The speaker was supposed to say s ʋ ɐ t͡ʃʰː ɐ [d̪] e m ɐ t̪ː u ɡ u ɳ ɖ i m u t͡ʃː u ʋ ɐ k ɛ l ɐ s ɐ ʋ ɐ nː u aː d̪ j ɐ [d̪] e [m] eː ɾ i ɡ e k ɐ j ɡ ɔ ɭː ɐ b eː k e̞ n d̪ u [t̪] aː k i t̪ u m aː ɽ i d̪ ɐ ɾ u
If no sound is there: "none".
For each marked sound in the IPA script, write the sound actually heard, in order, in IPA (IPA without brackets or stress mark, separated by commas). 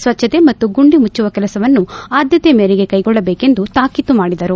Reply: t̪, t̪, m, t̪